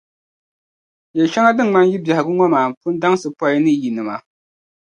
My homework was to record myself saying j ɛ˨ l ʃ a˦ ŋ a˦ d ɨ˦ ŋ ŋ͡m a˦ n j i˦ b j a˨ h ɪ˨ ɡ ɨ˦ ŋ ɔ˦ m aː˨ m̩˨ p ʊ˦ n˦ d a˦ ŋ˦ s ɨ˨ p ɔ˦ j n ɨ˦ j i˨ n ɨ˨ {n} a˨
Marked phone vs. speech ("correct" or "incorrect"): incorrect